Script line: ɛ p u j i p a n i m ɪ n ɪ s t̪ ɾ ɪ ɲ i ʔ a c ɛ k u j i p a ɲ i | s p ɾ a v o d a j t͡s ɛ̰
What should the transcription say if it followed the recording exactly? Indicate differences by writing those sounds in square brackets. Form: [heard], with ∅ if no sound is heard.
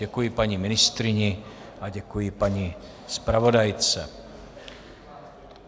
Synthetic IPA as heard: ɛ [k] u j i p a [ɲ] i m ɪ n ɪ s t̪ ɾ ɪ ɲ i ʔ a [ɟ] ɛ k u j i p a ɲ i | s p ɾ a v o d a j t͡s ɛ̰